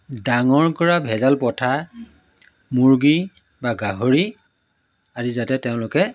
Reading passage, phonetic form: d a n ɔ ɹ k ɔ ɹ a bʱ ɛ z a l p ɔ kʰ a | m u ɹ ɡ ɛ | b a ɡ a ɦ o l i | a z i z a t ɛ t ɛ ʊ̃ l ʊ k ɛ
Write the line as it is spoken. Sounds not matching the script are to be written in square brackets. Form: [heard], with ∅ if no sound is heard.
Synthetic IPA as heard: d a [ŋ] ɔ ɹ k ɔ ɹ a bʱ ɛ z a l p ɔ [tʰ] a | m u ɹ ɡ [i] | b a ɡ a ɦ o [ɹ] i | a z i z a t ɛ t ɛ ʊ̃ l ʊ k ɛ